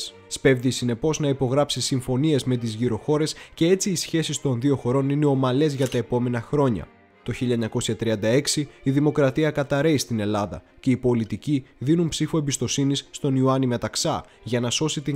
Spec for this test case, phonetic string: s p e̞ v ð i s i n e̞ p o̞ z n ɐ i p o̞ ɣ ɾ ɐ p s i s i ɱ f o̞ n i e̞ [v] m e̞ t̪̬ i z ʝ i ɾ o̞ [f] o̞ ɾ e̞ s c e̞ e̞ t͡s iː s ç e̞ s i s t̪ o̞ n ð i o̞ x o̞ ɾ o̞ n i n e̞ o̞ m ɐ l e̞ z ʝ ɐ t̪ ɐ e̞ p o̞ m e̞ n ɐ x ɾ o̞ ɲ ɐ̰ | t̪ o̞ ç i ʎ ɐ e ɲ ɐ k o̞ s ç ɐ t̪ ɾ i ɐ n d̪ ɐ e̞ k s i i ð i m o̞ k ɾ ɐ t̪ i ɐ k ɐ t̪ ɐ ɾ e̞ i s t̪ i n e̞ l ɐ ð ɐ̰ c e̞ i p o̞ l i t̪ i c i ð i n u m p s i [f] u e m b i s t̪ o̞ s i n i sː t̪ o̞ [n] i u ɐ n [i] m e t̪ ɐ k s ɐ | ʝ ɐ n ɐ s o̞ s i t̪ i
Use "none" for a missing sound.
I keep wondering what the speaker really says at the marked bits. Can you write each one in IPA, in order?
z, x, f, n, i

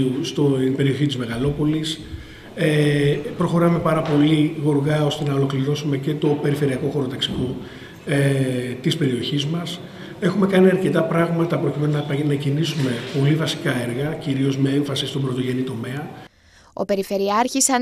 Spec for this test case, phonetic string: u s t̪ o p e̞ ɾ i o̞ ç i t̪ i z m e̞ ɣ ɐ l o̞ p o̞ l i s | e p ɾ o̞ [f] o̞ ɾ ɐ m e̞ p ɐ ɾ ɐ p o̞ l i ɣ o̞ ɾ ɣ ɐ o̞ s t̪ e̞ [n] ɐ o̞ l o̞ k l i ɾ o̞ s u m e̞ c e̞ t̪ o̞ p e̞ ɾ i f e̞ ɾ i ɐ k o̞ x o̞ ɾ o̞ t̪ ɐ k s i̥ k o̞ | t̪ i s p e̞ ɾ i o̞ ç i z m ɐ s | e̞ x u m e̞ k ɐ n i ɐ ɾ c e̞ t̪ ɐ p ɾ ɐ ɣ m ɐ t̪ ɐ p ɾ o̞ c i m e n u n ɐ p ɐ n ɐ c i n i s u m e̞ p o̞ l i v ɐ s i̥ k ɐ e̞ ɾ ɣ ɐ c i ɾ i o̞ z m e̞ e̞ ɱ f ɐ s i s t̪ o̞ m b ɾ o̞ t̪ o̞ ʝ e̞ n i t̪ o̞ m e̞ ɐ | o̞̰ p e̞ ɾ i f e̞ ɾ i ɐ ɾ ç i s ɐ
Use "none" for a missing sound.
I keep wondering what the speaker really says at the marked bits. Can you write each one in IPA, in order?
x, n

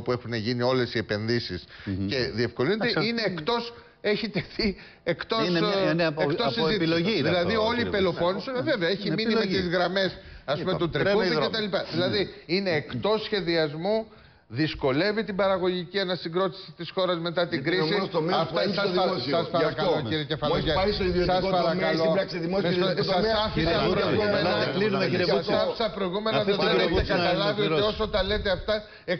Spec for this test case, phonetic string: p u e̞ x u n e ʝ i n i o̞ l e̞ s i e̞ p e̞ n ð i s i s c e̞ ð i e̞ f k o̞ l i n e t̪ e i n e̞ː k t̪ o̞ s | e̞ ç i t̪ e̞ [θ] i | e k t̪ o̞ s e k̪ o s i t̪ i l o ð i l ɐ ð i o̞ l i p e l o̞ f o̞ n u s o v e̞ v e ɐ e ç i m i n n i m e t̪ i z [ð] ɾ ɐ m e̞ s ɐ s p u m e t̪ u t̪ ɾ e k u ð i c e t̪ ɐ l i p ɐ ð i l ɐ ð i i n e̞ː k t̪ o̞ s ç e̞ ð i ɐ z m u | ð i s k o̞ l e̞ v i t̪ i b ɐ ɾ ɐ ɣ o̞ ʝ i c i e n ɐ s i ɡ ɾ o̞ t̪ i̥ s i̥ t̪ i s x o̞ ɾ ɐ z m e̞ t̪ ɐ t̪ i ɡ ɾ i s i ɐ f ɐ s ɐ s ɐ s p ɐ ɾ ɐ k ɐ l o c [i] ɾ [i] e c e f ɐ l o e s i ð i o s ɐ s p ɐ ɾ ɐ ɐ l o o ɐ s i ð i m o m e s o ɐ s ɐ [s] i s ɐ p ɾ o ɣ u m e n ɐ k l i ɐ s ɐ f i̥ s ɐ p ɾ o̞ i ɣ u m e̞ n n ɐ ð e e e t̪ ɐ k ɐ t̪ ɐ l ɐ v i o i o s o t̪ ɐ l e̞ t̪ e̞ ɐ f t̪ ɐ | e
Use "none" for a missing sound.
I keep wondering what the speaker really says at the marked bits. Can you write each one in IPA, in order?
θ, ɣ, i, i, f

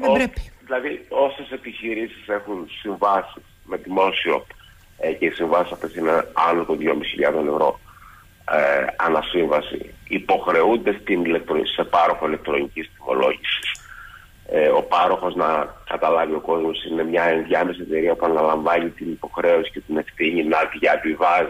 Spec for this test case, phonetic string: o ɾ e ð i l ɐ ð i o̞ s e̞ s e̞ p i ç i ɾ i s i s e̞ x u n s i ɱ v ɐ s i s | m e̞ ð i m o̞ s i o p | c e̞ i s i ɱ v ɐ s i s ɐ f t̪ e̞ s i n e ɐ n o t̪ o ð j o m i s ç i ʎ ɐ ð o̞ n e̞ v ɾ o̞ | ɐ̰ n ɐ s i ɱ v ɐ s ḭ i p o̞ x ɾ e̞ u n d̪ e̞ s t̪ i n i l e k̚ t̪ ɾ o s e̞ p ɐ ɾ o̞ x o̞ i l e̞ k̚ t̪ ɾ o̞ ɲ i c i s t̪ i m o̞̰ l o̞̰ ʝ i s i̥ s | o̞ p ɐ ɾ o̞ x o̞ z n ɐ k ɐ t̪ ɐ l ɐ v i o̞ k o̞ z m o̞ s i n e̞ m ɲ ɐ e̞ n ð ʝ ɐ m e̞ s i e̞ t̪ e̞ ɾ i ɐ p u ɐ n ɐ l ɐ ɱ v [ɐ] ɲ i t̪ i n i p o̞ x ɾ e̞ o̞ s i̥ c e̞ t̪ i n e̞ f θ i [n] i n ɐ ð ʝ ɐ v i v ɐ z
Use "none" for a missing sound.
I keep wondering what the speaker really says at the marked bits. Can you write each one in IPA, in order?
ɐ, ɲ

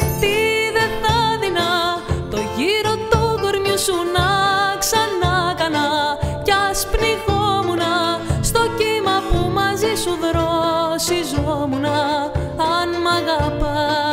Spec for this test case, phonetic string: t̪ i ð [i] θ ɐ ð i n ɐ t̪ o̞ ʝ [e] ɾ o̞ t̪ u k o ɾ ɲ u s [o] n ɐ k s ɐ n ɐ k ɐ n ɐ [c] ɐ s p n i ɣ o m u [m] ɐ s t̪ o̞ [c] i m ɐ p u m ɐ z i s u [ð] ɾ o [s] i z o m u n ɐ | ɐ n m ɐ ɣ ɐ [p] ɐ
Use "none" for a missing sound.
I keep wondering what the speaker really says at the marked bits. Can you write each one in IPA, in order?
e, i, u, c, n, c, ð, s, p

